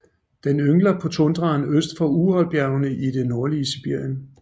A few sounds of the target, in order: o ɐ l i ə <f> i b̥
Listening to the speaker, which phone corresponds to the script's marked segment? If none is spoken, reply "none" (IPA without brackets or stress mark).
s